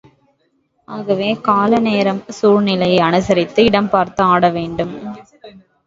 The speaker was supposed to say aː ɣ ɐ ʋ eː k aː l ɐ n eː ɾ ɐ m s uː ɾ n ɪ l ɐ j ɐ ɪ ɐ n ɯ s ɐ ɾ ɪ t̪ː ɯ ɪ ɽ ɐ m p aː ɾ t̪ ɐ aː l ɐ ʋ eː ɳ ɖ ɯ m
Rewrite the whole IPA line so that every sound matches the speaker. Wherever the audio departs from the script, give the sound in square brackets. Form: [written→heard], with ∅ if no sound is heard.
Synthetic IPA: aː ɣ ɐ ʋ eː k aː l ɐ n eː ɾ ɐ m s uː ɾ n ɪ l ɐ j ɐ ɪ ɐ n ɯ s ɐ ɾ ɪ t̪ː ɯ ɪ ɽ ɐ m p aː ɾ t̪ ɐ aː [l→ɽ] ɐ ʋ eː ɳ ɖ ɯ m